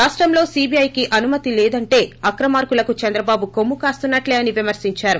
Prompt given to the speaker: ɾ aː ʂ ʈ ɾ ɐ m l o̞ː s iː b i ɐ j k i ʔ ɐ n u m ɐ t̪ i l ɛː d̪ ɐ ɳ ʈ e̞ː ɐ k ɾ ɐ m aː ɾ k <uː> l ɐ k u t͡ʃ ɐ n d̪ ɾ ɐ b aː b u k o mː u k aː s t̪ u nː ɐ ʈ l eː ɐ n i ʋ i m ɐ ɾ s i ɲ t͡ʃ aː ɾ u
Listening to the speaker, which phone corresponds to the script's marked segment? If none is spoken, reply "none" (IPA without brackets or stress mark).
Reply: u